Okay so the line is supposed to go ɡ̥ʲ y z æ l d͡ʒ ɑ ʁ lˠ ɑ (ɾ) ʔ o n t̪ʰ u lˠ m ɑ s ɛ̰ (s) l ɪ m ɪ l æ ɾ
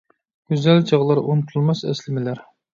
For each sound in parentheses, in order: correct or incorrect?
correct, correct

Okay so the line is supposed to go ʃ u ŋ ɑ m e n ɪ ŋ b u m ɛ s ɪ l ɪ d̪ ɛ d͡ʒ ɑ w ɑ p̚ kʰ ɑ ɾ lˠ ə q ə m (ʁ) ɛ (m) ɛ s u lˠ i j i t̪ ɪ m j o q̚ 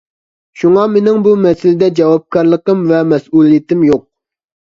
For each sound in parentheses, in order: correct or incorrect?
incorrect: v, correct

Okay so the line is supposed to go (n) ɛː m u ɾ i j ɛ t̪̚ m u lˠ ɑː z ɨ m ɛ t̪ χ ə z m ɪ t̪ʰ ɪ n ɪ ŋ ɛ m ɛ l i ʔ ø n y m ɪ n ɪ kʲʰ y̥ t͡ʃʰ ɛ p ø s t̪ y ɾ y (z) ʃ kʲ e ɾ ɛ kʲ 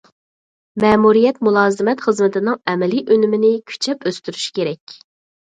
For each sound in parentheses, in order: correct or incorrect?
incorrect: m, incorrect: none

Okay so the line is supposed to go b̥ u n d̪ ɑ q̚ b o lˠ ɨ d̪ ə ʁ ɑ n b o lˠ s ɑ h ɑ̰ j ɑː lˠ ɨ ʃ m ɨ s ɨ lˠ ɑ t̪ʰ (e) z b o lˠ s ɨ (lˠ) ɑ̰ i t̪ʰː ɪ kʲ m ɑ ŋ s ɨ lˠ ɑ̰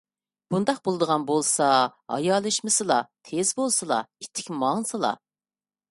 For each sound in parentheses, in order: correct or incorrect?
correct, correct

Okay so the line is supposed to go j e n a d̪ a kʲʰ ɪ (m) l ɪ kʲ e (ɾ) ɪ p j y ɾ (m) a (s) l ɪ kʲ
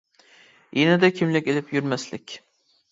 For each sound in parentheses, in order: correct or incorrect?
correct, incorrect: l, correct, correct

